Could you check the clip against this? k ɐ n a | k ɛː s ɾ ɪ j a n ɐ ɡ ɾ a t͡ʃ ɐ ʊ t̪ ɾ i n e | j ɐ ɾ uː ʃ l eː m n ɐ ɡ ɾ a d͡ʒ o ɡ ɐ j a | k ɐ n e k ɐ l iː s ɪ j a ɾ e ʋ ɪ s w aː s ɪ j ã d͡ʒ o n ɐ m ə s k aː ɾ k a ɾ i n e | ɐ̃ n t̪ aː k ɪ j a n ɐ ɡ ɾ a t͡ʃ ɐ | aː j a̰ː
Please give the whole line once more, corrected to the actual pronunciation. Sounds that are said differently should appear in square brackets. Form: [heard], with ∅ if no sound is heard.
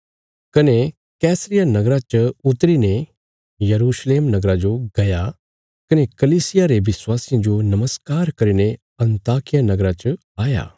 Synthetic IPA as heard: k ɐ n [e] | k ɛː s ɾ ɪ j a n ɐ ɡ ɾ a t͡ʃ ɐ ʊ t̪ ɾ i n e | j ɐ ɾ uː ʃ l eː m n ɐ ɡ ɾ a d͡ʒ o ɡ ɐ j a | k ɐ n e k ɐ l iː s ɪ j a ɾ e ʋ ɪ s w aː s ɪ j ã d͡ʒ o n ɐ m ə s k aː ɾ k [ɐ] ɾ i n e | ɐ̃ n t̪ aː k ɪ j a n ɐ ɡ ɾ a t͡ʃ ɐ | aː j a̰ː